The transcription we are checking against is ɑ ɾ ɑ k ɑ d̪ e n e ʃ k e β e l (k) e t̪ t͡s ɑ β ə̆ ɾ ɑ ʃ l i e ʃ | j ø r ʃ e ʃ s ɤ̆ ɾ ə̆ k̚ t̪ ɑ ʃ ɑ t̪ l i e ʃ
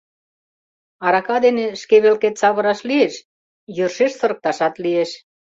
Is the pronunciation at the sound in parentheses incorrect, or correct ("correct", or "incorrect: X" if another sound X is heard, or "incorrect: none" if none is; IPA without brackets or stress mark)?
correct